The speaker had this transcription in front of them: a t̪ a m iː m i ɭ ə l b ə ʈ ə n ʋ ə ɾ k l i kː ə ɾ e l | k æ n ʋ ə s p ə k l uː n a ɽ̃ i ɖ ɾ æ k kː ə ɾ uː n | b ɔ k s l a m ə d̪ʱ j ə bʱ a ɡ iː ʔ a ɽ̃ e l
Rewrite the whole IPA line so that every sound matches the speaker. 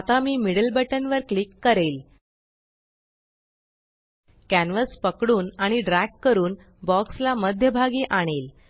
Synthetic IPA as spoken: a t̪ a m iː m i ɽ ə l b ə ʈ ə n ʋ ə ɾ k l i kː ə ɾ e l | k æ n ʋ ə s p ə k ɽ uː n a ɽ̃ i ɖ ɾ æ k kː ə ɾ uː n | b ɔ k s l a m ə d̪ʱ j ə bʱ a ɡ iː ʔ a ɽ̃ e l